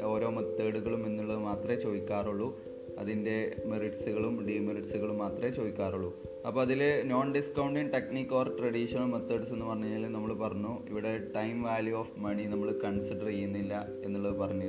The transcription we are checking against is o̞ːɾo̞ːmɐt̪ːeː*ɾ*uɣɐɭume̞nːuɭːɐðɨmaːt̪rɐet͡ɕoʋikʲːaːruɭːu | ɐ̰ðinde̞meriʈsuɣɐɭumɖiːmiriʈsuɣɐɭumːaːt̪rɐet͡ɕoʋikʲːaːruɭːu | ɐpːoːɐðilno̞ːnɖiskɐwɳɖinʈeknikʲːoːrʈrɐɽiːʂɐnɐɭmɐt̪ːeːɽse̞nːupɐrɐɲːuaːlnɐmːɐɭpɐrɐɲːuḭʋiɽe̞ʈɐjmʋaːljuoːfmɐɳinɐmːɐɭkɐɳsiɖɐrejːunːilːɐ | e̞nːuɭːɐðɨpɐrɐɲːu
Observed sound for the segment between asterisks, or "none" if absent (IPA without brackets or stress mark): ɽ